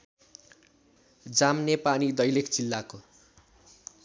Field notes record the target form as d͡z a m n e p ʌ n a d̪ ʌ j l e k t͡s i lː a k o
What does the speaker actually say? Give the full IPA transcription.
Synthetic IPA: d͡z a m n e p a n i d̪ ʌ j l e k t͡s i lː a k o